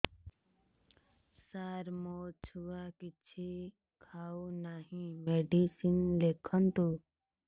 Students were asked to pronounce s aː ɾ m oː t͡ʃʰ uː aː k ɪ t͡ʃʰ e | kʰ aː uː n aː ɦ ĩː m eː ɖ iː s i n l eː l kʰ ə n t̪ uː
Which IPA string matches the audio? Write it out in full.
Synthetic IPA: s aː ɾ m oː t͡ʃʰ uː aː k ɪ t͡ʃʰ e | kʰ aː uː n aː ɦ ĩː m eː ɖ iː s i n l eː kʰ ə n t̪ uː